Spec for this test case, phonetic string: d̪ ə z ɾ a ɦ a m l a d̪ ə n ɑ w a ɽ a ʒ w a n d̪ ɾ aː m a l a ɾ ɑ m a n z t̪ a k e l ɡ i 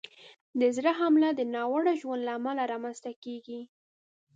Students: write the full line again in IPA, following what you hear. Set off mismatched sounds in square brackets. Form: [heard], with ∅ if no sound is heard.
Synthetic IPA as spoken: d̪ ə z ɾ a ɦ a m l a d̪ ə n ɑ w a ɽ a ʒ w a n d̪ [l] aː m a l a ɾ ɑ m a n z t̪ a k e [∅] ɡ i